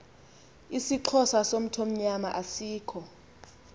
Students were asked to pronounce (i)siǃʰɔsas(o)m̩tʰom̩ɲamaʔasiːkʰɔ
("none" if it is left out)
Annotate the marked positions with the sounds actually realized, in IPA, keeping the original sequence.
i, o

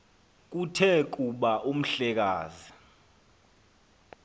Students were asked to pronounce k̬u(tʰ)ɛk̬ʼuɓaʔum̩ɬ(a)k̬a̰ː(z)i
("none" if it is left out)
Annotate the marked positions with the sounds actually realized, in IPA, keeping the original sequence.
tʰ, ɛ, z

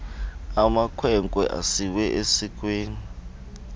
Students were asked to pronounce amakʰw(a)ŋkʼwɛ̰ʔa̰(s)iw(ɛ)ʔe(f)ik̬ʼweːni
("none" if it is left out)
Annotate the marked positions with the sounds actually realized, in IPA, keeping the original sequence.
ɛ, s, ɛ, s

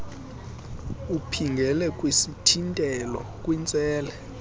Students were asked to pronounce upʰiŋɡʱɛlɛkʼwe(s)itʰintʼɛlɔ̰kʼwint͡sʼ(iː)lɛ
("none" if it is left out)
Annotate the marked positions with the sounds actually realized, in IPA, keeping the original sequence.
s, ɛː

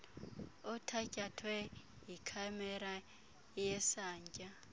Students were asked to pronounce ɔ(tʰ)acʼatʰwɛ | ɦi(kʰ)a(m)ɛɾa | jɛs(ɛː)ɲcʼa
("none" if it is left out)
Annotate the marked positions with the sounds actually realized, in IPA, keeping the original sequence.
tʰ, kʰ, m, aː

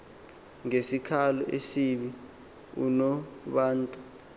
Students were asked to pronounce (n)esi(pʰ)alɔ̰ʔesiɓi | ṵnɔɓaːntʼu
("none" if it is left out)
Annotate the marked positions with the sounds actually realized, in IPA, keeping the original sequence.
ŋ, kʰ

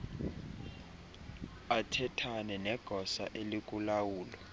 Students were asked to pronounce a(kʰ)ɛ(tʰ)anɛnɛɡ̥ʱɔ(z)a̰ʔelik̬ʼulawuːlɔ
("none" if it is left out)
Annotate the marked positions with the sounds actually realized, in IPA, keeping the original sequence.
tʰ, tʰ, s

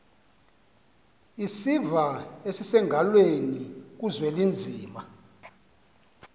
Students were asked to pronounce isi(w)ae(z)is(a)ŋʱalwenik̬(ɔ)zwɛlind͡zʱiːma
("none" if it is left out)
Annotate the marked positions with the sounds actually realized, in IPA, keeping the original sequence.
v, s, ɛ, u

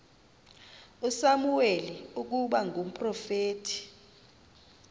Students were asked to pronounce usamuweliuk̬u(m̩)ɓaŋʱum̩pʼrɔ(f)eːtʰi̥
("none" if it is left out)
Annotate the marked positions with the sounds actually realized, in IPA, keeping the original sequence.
none, f

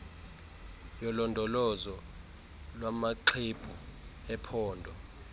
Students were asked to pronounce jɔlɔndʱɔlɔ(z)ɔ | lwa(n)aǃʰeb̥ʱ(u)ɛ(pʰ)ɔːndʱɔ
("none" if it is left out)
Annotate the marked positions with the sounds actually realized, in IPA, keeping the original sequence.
z, m, u, pʰ

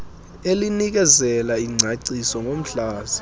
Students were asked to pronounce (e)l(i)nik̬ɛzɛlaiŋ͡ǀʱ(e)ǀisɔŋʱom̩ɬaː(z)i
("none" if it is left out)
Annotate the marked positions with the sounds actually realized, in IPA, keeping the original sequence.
e, i, a, z

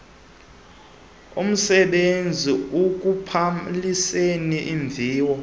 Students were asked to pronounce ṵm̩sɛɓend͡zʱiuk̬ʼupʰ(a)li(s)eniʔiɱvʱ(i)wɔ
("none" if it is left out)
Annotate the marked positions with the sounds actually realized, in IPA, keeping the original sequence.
a, s, iː

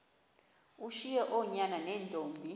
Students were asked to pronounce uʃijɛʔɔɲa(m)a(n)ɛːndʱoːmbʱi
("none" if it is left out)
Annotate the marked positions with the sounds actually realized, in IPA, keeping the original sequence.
n, n

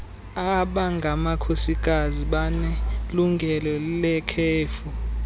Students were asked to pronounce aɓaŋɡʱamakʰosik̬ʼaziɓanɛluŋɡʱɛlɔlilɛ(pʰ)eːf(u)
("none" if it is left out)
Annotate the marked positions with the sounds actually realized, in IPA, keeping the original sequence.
kʰ, u

